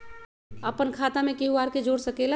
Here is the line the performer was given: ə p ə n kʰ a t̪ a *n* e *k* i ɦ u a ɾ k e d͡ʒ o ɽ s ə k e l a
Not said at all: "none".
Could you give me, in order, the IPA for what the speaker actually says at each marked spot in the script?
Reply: m, k

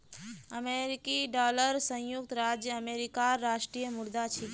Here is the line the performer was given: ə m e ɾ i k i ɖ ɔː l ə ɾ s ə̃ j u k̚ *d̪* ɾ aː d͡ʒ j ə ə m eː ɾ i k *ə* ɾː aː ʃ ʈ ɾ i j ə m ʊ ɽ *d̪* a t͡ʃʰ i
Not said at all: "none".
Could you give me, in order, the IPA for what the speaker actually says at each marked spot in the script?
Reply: t̪, a, d̪

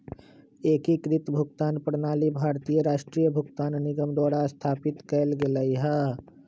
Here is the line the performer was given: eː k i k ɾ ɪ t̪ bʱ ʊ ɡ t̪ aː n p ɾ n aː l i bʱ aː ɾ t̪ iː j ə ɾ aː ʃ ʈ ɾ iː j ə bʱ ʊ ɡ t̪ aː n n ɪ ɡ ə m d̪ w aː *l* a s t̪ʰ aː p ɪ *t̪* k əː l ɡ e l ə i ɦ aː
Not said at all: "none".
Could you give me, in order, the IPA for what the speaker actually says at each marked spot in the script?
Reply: ɽ, t̪

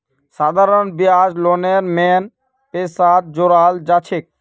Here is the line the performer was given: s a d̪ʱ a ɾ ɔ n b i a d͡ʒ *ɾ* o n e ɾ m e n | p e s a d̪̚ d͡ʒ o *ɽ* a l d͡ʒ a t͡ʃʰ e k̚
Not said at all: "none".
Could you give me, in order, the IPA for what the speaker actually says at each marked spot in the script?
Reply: l, ɾ

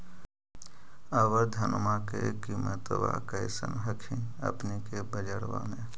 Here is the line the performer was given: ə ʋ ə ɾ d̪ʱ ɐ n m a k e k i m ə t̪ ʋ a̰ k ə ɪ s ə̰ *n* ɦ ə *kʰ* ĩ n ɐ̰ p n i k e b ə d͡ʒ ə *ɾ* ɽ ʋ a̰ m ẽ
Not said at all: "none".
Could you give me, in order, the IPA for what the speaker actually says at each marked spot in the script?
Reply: n, kʰ, none

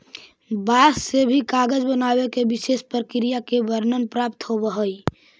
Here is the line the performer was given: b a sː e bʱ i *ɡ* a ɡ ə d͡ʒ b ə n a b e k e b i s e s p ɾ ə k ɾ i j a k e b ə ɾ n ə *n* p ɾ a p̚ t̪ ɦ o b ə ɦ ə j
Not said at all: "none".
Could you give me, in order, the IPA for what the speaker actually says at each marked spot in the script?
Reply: k, n

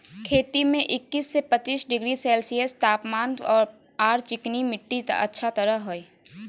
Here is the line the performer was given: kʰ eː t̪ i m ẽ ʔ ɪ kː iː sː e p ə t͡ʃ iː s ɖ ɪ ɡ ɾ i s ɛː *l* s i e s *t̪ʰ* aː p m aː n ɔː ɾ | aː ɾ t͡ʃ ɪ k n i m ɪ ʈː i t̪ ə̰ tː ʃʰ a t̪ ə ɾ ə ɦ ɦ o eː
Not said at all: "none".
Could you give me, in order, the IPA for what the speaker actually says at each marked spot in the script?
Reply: l, t̪

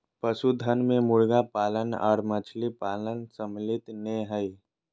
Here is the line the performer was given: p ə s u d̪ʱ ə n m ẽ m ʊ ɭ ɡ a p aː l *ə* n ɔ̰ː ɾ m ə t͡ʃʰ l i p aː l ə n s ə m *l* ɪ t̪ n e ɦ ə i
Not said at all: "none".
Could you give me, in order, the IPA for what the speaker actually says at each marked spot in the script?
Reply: ə, l

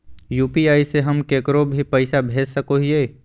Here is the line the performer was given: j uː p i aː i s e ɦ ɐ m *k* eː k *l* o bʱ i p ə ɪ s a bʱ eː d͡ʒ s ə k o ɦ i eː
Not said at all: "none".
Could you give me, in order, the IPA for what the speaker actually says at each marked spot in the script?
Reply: k, ɾ

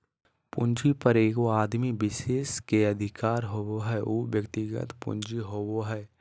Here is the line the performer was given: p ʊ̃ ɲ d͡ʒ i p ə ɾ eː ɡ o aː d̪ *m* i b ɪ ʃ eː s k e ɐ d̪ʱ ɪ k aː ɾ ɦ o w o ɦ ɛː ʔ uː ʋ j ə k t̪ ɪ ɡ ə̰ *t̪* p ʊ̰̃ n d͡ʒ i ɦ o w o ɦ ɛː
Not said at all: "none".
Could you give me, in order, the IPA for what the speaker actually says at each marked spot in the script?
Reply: m, t̪

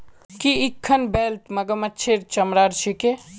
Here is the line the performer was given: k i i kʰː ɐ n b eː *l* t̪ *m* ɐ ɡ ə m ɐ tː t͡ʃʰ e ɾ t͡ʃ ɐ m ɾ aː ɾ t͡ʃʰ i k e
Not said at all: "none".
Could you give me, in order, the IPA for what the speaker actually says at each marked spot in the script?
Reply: l, m

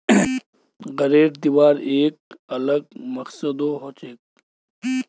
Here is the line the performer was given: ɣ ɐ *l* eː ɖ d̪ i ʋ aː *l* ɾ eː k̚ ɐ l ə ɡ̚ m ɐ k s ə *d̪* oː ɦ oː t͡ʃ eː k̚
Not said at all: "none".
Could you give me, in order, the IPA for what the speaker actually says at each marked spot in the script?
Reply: ɾ, none, d̪

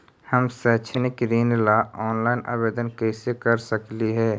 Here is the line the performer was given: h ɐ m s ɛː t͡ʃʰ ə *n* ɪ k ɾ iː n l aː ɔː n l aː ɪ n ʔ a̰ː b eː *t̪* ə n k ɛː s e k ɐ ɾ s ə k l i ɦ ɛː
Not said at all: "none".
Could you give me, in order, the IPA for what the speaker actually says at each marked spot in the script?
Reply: n, d̪

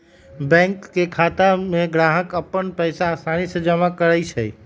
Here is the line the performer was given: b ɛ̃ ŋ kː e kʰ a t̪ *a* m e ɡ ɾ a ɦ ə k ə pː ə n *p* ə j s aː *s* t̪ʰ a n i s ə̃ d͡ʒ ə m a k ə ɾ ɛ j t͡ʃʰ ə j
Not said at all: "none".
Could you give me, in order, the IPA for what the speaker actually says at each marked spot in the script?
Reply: a, p, s

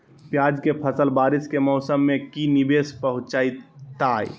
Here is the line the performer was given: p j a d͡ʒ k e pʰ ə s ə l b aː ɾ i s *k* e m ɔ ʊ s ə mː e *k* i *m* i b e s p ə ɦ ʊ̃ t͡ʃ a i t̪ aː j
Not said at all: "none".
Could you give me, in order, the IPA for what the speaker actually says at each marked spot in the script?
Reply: k, k, n

